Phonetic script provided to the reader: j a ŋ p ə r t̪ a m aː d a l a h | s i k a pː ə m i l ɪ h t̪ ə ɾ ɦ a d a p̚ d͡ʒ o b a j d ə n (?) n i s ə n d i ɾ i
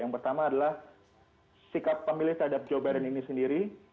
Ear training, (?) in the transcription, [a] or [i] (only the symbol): i